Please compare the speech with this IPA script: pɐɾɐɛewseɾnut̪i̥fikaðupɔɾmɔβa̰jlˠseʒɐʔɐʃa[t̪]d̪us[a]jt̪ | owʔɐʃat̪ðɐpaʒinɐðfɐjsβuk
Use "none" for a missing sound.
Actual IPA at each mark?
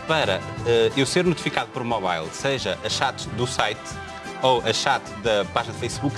t̪, a

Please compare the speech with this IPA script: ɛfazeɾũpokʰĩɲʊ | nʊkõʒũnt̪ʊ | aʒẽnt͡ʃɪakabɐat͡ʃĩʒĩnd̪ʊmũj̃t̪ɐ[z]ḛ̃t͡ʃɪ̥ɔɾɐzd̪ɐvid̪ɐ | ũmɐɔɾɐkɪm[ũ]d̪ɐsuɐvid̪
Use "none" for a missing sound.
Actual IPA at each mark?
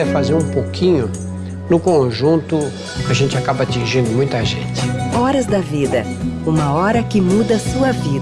ʒ, u

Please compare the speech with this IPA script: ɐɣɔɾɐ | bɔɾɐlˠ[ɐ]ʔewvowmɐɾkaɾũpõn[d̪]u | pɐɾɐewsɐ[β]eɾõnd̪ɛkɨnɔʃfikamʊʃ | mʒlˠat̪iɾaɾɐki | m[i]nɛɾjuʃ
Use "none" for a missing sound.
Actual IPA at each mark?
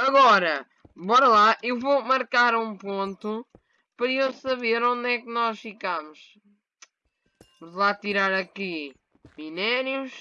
a, t̪, β, i

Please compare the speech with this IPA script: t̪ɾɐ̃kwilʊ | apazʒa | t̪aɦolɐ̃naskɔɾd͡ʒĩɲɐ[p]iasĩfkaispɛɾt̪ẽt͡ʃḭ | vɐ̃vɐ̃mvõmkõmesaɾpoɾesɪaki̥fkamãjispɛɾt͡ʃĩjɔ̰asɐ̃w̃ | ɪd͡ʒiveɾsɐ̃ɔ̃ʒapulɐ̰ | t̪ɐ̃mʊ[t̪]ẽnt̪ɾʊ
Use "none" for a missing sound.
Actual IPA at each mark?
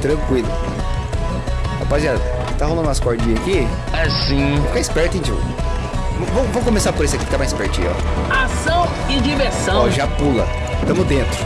k, d̪

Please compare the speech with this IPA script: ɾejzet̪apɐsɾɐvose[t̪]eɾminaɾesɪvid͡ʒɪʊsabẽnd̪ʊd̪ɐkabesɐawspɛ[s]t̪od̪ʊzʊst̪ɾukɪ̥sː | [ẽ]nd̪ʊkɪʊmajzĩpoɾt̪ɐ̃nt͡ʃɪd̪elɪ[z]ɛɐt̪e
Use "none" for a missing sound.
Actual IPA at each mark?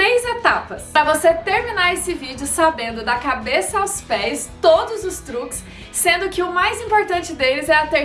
t̪, s, ẽ, z

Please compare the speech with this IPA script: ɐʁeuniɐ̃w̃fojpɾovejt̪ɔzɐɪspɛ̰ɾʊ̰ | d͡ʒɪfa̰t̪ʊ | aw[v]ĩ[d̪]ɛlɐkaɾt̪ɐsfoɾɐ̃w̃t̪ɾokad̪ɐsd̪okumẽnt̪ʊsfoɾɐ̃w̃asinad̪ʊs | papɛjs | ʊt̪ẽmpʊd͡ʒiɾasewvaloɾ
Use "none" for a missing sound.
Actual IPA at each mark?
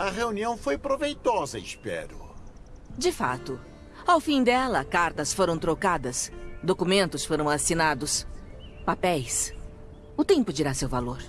f, d̪

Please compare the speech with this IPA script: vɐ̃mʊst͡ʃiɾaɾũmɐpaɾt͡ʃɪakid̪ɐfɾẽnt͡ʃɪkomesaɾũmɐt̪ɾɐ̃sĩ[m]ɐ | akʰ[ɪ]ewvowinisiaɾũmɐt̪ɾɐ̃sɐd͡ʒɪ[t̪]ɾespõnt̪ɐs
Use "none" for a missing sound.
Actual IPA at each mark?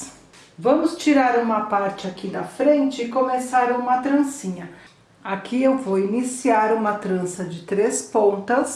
ɲ, i, t̪

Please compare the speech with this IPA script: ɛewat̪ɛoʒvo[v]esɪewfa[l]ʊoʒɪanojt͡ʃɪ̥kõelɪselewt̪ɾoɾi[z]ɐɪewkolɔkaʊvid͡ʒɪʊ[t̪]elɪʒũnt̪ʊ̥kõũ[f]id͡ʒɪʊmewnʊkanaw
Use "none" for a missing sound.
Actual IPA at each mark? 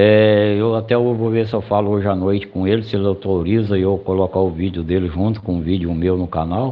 v, l, z, d̪, v

